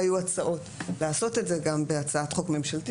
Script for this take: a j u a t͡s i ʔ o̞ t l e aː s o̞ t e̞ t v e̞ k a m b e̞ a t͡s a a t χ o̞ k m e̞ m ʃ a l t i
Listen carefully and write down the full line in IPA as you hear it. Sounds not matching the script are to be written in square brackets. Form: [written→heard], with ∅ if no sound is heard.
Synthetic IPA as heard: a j u a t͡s [i→a] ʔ o̞ t l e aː s o̞ t e̞ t [v→z] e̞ [k→ɡ] a m b e̞ a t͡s a a t χ o̞ k m e̞ m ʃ a l t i